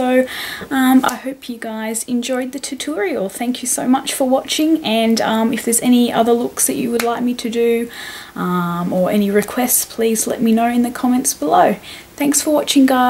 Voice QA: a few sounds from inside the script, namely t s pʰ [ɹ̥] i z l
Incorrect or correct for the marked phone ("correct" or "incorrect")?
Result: incorrect